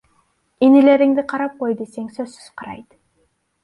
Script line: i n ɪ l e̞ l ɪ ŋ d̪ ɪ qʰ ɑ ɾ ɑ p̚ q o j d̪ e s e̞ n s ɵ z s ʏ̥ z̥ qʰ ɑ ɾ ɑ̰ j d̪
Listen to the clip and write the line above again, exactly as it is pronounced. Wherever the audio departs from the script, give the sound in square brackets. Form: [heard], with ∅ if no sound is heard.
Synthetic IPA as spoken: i n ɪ l e̞ [ɾ] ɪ ŋ d̪ ɪ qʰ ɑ ɾ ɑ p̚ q o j d̪ e s e̞ [ŋ] s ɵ z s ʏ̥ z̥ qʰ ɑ ɾ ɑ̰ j d̪